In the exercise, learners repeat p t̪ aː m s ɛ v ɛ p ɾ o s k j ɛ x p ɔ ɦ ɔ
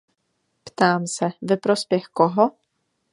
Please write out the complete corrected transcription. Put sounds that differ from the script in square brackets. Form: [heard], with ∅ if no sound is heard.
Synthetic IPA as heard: p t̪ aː m s ɛ v ɛ p ɾ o s [p] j ɛ x [k] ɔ ɦ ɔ